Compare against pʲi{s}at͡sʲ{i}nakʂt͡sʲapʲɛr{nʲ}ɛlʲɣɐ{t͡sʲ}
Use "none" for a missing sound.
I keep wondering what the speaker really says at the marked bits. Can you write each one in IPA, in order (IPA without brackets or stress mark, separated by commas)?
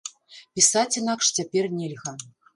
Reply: s, i, nʲ, none